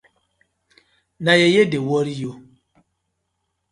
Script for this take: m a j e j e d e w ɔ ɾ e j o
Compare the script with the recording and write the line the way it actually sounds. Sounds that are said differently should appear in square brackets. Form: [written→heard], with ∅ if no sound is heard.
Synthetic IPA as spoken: [m→n] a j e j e d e w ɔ ɾ [e→i] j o